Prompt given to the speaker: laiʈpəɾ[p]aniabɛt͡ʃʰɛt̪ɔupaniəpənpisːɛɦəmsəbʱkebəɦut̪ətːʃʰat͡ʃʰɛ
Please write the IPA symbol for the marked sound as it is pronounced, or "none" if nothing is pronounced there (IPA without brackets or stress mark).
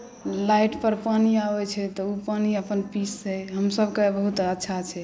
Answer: p